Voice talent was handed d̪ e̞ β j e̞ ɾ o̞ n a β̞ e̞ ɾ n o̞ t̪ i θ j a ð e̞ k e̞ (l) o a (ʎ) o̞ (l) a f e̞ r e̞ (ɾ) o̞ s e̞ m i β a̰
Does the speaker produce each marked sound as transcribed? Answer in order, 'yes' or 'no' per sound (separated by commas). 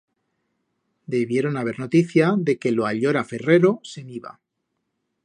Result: yes, yes, no, yes